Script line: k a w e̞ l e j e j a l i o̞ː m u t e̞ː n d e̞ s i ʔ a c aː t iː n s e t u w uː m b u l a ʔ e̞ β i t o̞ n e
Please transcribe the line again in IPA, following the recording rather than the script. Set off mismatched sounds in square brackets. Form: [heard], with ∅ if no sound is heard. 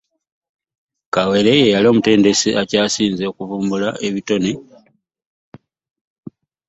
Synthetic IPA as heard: k a w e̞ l e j e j a l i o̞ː m u t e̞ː n d e̞ s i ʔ a c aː [s] iː n [z] e [k] u [v] uː m b u l a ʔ e̞ β i t o̞ n e